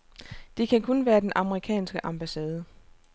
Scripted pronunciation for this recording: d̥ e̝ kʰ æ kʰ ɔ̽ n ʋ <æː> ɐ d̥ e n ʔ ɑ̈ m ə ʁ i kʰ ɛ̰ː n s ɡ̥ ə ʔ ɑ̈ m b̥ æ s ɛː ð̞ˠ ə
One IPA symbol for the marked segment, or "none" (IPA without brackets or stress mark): æː